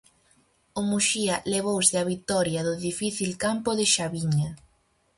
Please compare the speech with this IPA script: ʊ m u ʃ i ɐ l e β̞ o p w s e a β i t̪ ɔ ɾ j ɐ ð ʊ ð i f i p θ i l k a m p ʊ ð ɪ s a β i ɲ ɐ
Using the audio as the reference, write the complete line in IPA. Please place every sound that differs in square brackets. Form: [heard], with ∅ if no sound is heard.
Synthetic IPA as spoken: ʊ m u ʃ i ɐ l e β̞ o [∅] w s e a β i t̪ ɔ ɾ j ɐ ð ʊ ð i f i [∅] θ i l k a m p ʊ ð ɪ [ʃ] a β i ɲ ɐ